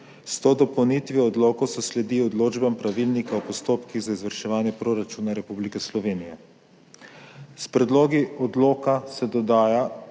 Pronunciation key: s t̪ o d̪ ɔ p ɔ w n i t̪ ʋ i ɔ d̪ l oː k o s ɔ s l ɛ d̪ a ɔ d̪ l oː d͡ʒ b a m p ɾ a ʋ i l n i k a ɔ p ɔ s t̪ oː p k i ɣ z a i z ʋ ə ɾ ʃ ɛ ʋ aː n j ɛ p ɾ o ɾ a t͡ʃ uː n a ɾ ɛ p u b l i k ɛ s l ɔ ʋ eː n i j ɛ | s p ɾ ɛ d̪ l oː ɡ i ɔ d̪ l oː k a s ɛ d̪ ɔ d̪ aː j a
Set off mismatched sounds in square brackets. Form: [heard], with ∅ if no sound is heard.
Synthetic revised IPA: s t̪ o d̪ ɔ p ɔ w n i t̪ ʋ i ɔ d̪ l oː k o s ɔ s l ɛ d̪ [i] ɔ d̪ l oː d͡ʒ b a m p ɾ a ʋ i l n i k a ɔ p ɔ s t̪ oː p k i ɣ z a i z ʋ ə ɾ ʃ ɛ ʋ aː n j ɛ p ɾ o ɾ a t͡ʃ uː n a ɾ ɛ p u b l i k ɛ s l ɔ ʋ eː n i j ɛ | s p ɾ ɛ d̪ l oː ɡ i ɔ d̪ l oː k a s ɛ d̪ ɔ d̪ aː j a